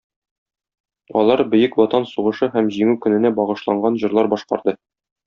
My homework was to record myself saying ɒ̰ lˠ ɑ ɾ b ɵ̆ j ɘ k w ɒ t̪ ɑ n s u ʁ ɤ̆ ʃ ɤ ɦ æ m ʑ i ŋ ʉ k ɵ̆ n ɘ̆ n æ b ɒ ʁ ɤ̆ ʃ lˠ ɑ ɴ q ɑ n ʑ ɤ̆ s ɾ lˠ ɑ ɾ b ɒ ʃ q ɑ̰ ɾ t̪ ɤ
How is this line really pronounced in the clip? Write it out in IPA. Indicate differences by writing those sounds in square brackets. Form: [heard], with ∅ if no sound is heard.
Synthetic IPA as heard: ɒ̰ lˠ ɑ ɾ b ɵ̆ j ɘ k w ɒ t̪ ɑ n s u ʁ ɤ̆ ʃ ɤ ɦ æ m ʑ i ŋ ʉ k ɵ̆ n ɘ̆ n æ b ɒ ʁ ɤ̆ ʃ lˠ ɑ ɴ [ɢ] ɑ n ʑ ɤ̆ [∅] ɾ lˠ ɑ ɾ b ɒ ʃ q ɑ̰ ɾ [d̪] ɤ

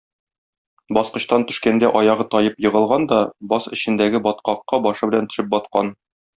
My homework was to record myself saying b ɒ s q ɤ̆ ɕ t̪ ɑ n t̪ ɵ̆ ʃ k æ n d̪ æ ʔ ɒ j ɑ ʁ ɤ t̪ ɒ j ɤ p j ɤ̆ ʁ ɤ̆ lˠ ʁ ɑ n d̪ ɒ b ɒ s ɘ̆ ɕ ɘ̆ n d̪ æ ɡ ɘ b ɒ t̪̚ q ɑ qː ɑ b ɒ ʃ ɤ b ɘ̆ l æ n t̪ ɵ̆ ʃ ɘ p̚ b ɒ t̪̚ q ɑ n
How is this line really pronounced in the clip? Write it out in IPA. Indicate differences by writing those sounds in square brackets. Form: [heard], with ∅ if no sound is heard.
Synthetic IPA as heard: b ɒ s q ɤ̆ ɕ t̪ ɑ n t̪ ɵ̆ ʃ k æ n d̪ æ ʔ ɒ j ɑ ʁ ɤ t̪ ɒ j ɤ p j ɤ̆ ʁ ɤ̆ lˠ ʁ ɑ n d̪ ɒ b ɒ s ɘ̆ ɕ ɘ̆ n d̪ æ ɡ ɘ b ɒ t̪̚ q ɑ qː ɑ b ɒ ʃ ɤ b ɘ̆ l æ n t̪ ɵ̆ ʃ ɘ p̚ b ɒ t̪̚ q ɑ n

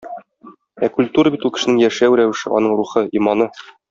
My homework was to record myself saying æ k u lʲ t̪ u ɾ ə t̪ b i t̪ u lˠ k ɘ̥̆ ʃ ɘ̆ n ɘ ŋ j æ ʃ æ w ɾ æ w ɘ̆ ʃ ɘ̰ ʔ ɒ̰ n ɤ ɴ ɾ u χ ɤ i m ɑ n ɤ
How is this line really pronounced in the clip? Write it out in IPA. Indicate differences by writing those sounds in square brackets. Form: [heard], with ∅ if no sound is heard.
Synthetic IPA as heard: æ k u lʲ t̪ u ɾ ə [∅] b i t̪ u lˠ k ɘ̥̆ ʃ ɘ̆ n ɘ ŋ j æ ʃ æ w ɾ æ w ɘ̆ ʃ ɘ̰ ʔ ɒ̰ n ɤ ɴ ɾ u χ ɤ i m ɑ n ɤ

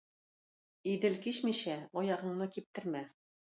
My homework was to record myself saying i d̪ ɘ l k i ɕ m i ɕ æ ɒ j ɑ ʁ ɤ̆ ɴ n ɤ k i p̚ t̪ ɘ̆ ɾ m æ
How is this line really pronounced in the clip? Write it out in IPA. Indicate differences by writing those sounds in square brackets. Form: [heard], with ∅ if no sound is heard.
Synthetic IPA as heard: i d̪ ɘ l k i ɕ m i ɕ æ ɒ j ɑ ʁ ɤ̆ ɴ n ɤ k i p̚ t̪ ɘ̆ ɾ m æ

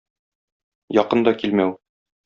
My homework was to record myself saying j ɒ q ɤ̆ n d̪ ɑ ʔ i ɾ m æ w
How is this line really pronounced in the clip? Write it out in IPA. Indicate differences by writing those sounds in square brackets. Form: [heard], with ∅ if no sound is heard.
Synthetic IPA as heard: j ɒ q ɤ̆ n d̪ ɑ [k] i [l] m æ w

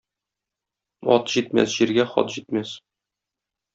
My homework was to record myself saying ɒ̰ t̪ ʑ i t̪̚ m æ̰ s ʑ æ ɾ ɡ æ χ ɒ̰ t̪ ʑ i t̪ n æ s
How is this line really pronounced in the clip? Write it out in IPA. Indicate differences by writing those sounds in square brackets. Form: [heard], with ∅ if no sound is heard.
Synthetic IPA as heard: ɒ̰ t̪ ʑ i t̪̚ m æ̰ s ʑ [i] ɾ ɡ æ χ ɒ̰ t̪ ʑ i t̪ [m] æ s

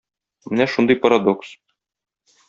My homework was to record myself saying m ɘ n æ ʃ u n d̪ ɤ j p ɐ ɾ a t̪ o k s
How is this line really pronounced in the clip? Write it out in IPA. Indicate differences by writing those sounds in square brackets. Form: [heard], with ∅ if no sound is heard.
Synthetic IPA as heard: m ɘ n æ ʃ u n d̪ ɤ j p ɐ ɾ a [d̪] o k s

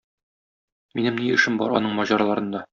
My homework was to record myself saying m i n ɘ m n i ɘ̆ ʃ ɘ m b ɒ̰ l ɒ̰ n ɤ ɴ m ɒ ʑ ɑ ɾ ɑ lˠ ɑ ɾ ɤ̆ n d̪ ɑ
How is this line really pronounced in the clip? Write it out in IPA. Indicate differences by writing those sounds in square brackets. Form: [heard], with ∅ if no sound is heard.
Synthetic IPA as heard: m i n ɘ m n i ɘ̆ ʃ ɘ m b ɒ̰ [ɾ] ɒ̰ n ɤ ɴ m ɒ ʑ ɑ ɾ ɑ lˠ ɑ ɾ ɤ̆ n d̪ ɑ

